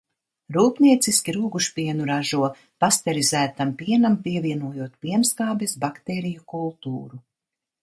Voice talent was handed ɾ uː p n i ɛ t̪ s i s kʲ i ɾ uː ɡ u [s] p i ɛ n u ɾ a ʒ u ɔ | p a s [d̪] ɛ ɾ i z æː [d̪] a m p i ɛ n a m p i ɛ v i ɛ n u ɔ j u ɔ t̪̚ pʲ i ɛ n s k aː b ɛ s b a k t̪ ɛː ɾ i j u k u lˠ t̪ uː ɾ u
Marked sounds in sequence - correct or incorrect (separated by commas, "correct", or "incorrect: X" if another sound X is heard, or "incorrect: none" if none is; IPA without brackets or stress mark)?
incorrect: ʃ, incorrect: t̪, incorrect: t̪